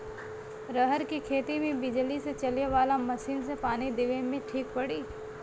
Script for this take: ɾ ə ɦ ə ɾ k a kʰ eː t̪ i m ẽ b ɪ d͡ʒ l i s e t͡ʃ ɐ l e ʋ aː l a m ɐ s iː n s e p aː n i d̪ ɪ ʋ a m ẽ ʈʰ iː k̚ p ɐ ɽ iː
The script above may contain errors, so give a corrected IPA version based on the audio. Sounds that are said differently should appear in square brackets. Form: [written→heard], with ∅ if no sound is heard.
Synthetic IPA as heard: ɾ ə ɦ ə ɾ k [a→i] kʰ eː t̪ i m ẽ b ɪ d͡ʒ l i s e t͡ʃ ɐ l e ʋ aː l a m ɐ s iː n s e p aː n i d̪ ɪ ʋ [a→e] m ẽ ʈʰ iː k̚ p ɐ ɽ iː